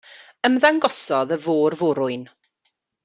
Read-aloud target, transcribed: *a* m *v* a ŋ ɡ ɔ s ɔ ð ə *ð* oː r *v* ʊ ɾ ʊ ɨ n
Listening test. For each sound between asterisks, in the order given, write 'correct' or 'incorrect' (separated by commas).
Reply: incorrect, incorrect, incorrect, correct